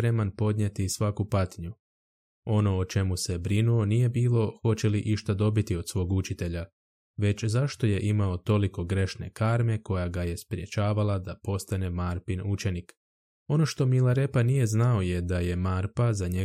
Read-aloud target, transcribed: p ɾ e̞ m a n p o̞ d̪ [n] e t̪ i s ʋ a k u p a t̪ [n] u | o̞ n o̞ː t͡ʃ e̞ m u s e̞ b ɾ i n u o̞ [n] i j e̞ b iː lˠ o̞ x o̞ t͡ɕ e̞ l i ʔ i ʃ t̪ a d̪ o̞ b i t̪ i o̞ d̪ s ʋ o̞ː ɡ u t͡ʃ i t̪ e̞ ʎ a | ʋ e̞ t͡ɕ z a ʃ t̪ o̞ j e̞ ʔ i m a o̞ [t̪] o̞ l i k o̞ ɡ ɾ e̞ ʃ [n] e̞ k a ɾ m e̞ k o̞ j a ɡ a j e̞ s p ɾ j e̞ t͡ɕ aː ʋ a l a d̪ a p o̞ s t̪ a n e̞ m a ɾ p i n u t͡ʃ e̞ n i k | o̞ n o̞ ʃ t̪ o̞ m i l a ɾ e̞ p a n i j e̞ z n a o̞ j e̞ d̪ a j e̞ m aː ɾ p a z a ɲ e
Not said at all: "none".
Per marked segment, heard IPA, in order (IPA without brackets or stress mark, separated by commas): ɲ, ɲ, n, t̪, n